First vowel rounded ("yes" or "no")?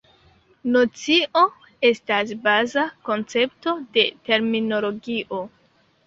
yes